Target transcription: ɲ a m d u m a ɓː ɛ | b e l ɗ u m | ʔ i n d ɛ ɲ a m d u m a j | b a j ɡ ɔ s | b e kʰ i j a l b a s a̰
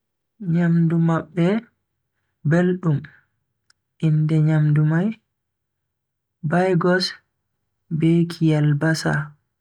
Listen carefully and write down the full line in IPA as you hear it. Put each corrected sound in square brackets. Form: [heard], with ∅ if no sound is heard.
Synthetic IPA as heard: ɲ a m d u m a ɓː ɛ | b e l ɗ u m | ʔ i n d ɛ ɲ a m d u m a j | b a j ɡ ɔ s | b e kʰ i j a l b a s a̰